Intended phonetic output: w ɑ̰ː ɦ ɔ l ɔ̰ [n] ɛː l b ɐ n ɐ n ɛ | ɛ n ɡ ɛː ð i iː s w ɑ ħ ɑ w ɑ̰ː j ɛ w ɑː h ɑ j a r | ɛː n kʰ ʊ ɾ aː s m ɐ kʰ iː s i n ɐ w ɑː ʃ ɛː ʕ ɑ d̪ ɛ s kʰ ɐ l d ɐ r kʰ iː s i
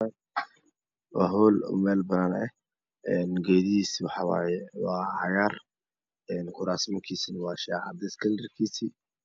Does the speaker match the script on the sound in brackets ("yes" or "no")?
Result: no